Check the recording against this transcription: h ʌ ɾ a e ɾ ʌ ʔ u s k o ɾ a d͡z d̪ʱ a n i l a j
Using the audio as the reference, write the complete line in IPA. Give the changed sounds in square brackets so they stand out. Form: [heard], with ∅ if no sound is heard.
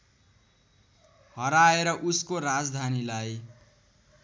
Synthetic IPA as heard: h ʌ ɾ a e ɾ ʌ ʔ u s k o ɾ a d͡z d̪ʱ a n i l a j